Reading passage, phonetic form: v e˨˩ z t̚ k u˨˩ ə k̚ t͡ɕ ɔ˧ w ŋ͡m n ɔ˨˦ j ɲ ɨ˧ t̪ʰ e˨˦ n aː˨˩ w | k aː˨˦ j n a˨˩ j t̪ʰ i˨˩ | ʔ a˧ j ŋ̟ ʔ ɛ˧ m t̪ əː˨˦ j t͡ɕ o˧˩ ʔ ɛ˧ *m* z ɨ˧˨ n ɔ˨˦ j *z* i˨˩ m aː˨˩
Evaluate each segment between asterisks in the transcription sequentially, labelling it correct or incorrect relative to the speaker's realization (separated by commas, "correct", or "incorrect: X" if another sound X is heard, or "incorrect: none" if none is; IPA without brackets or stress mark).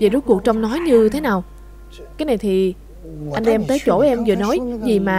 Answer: correct, correct